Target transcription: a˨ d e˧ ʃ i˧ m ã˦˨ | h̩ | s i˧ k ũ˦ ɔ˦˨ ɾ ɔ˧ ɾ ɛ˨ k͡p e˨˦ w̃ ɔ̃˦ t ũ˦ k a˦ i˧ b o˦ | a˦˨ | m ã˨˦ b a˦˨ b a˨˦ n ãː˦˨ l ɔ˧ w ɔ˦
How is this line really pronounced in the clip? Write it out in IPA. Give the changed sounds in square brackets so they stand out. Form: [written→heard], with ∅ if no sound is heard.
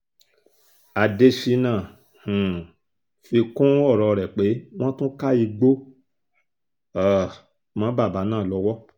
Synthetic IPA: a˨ d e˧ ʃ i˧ [m→n] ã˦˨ | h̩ | [s→f] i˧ k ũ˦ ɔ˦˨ ɾ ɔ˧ ɾ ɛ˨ k͡p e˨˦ w̃ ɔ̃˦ t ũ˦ k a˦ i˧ [b→ɡ͡b] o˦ | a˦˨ | m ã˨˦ b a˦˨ b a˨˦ n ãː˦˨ l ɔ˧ w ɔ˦